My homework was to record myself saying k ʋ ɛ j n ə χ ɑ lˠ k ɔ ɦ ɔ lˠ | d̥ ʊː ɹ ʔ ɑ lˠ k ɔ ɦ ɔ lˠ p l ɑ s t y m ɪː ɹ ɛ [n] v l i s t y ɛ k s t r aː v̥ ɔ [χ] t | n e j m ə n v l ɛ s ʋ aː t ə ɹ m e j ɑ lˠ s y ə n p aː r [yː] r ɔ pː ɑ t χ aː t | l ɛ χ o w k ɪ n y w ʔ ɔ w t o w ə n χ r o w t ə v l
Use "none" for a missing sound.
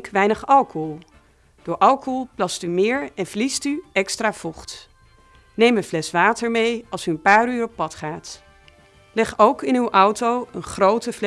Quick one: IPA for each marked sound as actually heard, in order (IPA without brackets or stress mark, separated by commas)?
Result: n, χ, yː